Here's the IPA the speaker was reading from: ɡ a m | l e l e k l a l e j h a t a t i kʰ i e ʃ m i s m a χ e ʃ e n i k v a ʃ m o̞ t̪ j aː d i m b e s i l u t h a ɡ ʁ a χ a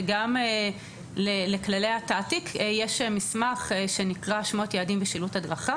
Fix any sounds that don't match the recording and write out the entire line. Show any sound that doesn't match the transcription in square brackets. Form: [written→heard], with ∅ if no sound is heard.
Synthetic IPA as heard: ɡ a m | l e l e k l a l e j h a t a t i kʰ [i→j] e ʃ m i s m a χ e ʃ e n i k [v→ʁ] a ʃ m o̞ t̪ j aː d i m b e [s→ʃ] i l u t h a [ɡ→d] ʁ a χ a